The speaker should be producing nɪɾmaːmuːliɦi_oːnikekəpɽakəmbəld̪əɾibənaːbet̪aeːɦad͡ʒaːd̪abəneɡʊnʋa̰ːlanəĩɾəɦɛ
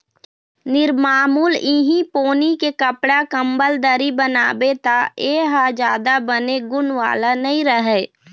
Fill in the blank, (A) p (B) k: A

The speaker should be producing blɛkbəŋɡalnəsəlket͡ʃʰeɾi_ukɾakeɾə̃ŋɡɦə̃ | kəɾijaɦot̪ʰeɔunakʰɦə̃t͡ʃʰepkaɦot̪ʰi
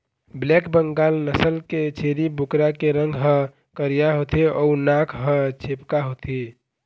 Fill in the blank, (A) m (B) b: B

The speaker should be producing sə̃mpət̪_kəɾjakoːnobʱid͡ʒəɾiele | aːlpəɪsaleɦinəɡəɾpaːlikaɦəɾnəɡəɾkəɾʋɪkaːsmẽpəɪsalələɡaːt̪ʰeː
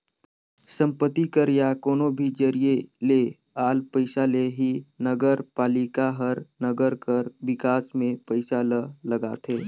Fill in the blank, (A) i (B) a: A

